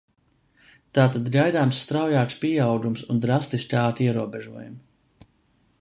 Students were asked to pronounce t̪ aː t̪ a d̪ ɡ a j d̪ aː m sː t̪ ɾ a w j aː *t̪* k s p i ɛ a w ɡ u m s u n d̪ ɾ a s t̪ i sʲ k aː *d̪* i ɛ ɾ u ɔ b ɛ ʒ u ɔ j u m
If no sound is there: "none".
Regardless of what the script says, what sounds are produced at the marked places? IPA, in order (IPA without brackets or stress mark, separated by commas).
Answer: none, t̪